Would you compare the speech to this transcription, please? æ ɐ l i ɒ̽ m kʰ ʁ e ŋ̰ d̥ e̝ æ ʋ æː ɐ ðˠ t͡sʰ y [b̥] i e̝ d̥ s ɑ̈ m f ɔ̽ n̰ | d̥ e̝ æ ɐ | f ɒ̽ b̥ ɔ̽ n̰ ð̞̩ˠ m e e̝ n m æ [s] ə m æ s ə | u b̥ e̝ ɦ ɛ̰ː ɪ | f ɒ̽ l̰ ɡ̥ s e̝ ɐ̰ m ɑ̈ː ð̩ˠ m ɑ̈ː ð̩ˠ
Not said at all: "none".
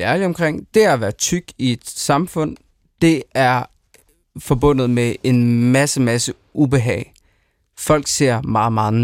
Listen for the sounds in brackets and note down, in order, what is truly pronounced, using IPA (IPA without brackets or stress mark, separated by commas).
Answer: ɡ̥, s